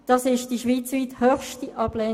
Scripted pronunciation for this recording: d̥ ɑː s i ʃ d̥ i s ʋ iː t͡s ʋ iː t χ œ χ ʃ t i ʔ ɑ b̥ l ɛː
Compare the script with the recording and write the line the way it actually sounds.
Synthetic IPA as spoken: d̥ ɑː s ɪ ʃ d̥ i ʃ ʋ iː t͡s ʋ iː t h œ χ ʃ t i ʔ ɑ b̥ l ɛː